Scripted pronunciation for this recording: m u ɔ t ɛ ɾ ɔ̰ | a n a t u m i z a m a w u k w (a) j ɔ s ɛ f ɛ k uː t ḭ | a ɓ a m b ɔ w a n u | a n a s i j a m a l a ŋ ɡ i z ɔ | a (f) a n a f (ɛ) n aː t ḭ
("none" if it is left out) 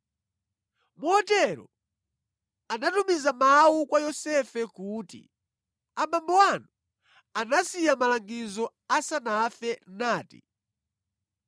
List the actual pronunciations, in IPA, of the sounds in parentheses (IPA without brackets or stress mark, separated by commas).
a, s, ɛ